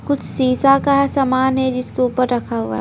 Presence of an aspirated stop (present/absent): present